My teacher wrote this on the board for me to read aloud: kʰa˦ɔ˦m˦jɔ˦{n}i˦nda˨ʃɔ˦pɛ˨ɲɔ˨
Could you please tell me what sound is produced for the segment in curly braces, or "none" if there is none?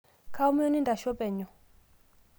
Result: n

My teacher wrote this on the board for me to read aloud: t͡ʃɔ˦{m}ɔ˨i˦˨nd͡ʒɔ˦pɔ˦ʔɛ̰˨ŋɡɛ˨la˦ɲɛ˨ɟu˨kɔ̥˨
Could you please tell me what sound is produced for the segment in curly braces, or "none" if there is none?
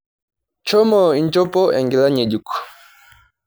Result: m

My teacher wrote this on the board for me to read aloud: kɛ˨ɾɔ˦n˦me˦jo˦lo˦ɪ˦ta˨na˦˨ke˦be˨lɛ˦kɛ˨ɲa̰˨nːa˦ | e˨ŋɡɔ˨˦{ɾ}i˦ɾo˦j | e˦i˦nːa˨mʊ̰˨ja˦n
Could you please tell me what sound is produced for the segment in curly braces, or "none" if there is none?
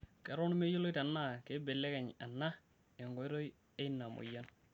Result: none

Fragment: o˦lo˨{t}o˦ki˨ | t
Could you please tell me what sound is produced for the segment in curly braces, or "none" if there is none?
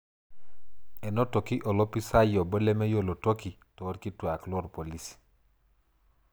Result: t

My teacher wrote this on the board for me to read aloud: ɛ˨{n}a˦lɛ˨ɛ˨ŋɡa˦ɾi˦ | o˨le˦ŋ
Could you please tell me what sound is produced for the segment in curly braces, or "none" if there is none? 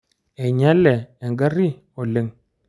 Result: ɲ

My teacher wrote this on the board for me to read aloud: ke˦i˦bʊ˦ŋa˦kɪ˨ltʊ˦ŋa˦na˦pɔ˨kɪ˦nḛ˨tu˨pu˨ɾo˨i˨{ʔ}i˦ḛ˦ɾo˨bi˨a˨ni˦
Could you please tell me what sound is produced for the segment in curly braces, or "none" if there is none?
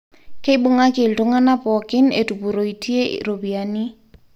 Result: t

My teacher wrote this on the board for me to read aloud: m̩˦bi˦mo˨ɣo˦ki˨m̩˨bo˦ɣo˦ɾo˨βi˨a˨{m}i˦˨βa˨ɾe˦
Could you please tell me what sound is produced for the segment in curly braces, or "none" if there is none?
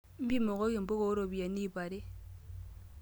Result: n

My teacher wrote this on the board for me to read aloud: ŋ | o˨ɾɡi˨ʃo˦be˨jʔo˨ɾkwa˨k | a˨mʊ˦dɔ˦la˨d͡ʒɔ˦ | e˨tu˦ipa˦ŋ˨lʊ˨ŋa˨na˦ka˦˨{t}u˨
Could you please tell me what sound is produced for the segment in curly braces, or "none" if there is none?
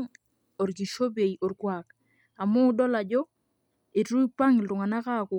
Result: k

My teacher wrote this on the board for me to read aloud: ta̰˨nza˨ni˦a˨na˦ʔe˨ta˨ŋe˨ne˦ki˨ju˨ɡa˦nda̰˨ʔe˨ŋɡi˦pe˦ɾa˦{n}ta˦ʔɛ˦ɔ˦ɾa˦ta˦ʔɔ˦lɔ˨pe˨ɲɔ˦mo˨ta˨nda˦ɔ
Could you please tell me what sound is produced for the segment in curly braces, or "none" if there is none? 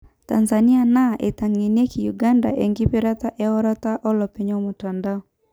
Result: none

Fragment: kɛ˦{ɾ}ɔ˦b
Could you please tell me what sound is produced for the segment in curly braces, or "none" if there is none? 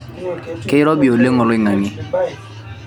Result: ɾ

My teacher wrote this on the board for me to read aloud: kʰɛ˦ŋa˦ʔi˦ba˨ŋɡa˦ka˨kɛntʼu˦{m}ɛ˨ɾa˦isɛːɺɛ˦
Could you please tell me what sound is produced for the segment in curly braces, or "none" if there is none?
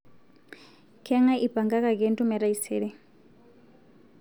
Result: m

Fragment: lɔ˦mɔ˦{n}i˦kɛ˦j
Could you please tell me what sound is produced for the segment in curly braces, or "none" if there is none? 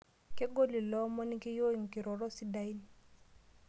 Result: n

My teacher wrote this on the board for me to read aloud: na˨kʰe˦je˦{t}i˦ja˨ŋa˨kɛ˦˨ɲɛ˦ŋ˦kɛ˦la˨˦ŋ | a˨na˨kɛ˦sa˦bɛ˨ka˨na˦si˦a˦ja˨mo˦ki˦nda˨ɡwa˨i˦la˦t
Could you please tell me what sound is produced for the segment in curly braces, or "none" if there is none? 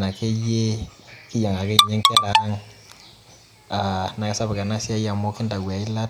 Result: k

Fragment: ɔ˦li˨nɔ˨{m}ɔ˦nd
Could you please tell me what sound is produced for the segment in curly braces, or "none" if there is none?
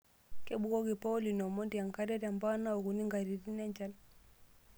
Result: m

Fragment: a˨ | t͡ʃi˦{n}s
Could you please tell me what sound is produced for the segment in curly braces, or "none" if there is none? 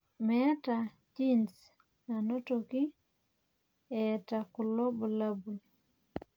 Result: n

